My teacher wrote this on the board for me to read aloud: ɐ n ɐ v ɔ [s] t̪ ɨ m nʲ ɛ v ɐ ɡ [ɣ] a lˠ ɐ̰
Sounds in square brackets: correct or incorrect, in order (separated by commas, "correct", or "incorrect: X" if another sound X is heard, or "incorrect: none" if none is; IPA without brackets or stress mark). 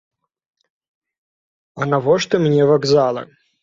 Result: incorrect: ʂ, incorrect: z